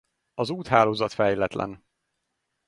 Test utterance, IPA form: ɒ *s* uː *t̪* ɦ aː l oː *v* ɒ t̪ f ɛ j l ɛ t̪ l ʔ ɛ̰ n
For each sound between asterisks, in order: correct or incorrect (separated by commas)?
incorrect, correct, incorrect